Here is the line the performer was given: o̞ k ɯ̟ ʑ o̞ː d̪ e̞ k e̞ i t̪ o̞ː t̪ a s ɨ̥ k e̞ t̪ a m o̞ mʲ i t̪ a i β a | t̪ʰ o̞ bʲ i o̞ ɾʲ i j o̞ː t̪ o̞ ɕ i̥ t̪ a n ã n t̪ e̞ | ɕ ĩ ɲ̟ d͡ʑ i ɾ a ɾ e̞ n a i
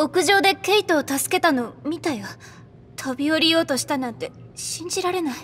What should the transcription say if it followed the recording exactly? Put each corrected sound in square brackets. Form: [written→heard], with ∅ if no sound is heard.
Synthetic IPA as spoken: o̞ k ɯ̟ ʑ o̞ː d̪ e̞ k e̞ i t̪ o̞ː t̪ a s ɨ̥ k e̞ t̪ a [m→n] o̞ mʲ i t̪ a i β a | t̪ʰ o̞ bʲ i o̞ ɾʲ i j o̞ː t̪ o̞ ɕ i̥ t̪ a n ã n t̪ e̞ | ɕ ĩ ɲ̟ d͡ʑ i ɾ a ɾ e̞ n a i